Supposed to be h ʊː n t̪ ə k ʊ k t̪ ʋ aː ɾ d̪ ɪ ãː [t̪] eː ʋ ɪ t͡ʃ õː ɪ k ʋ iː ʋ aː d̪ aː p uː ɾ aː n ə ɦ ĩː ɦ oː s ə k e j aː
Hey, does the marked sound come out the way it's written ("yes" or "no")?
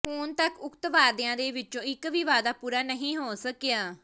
no